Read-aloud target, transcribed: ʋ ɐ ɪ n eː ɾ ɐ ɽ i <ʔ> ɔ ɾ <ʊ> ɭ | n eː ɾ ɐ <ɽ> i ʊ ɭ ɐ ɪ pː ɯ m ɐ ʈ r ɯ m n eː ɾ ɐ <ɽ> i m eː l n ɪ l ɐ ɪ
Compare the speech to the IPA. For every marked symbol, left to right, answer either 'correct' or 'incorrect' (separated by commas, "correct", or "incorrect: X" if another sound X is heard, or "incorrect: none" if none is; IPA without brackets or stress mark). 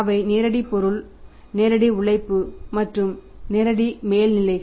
incorrect: p, incorrect: ɯ, correct, correct